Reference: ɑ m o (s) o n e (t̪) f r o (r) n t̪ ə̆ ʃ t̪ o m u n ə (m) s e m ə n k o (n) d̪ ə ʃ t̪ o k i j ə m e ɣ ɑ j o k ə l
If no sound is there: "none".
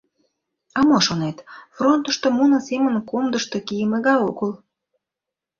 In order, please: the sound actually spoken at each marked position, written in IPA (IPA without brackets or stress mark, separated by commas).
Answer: ʃ, t̪, none, none, m